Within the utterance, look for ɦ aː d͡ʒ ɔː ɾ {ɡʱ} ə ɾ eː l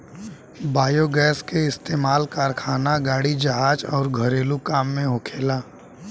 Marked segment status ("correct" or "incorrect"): correct